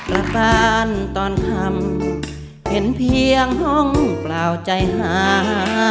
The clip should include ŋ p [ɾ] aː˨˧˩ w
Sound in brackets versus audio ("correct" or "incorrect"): incorrect